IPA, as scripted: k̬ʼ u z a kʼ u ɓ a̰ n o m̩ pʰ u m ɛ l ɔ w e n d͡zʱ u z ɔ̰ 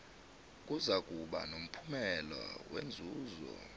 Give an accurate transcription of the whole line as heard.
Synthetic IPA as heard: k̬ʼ u z a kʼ u ɓ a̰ n o m̩ pʰ u m ɛ l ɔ w e n d͡zʱ uː z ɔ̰

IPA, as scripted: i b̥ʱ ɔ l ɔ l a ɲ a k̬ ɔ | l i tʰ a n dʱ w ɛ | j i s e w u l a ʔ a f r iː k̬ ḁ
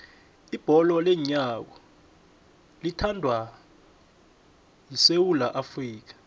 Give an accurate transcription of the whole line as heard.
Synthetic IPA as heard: i b̥ʱ ɔ l ɔ l ɛ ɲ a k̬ ɔ | l i tʰ a n dʱ w a | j i s e w u l a ʔ a f r iː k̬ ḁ

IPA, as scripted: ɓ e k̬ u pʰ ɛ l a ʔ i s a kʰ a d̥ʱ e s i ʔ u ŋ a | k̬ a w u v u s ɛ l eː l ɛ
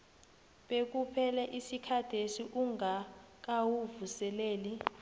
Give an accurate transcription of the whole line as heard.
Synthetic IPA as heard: ɓ e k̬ u pʰ ɛ l ɛ ʔ i s i kʰ a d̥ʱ e s i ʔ u ŋ a | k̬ a w u v u s ɛ l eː l i

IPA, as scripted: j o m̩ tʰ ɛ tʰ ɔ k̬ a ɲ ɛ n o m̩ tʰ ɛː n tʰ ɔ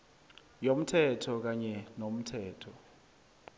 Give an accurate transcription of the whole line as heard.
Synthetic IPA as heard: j o m̩ tʰ ɛ tʰ ɔ k̬ a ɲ ɛ n o m̩ tʰ ɛː tʰ ɔ

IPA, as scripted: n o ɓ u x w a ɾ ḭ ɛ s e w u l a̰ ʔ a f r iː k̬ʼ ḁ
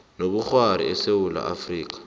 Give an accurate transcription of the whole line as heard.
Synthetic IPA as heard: n o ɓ u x w a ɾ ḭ ɛ s e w u l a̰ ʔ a f r iː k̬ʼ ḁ

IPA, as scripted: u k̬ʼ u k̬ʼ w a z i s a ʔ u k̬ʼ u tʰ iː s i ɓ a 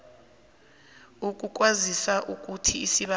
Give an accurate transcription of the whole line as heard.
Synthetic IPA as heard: u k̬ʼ u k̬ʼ w a z i s a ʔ u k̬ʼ u tʰ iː s i ɓ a

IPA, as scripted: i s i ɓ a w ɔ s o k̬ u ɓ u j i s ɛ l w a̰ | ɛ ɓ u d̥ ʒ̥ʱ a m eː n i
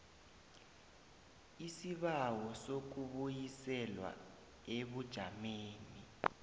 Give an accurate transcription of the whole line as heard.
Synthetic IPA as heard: i s i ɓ a w ɔ s o k̬ u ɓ u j i s ɛ l w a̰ | e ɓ u d̥ ʒ̥ʱ a m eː n i

